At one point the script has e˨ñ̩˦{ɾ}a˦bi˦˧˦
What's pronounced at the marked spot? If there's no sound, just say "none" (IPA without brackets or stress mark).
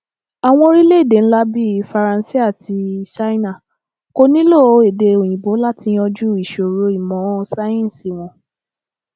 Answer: l